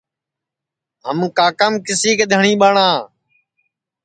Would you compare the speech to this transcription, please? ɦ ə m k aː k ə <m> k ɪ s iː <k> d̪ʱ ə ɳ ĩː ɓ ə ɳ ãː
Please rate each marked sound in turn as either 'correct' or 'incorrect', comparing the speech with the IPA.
correct, correct

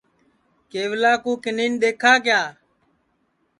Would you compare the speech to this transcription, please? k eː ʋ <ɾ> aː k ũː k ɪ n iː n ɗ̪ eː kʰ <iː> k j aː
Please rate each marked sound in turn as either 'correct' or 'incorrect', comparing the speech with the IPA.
incorrect, incorrect

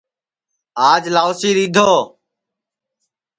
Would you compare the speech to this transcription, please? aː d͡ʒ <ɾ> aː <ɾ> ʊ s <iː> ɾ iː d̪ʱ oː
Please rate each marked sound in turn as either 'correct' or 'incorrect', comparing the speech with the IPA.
incorrect, incorrect, correct

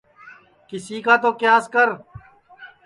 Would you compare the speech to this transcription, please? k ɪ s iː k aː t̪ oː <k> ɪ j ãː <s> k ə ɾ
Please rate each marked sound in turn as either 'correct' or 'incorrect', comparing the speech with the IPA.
correct, correct

